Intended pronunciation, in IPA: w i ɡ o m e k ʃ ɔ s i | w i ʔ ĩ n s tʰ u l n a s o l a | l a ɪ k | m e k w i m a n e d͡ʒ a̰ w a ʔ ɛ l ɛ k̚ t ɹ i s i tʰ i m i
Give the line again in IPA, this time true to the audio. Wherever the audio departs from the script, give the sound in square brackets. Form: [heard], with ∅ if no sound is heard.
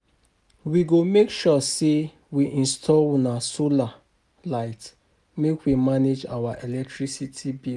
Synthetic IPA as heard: w i ɡ o m e k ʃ ɔ s [e] | w i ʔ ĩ n s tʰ [ɔ] l n a s o l a | l a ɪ [t] | m e k w i m a n e d͡ʒ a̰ w a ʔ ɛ l ɛ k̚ t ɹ i s i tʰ i [b] i